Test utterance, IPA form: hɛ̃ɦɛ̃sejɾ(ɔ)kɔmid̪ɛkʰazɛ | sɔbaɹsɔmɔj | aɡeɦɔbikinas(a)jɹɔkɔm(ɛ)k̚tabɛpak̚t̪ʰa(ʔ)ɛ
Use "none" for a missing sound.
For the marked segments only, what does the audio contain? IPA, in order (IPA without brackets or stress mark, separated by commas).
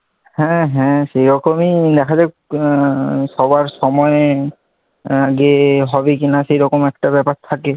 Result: ɔ, e, ɛ, k